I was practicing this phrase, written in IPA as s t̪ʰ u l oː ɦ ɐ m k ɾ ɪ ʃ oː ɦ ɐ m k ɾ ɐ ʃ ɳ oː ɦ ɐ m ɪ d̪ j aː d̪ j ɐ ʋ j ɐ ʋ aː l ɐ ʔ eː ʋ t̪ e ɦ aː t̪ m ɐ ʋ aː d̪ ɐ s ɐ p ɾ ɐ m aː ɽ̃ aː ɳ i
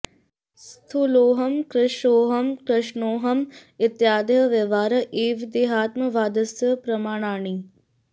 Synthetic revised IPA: s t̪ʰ u l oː ɦ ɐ m k ɾ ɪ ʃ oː ɦ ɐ m k ɾ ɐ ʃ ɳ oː ɦ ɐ m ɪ t̪ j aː d̪ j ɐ ʋ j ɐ ʋ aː ɾ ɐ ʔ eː ʋ d̪ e ɦ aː t̪ m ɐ ʋ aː d̪ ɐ s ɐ p ɾ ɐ m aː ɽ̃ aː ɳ i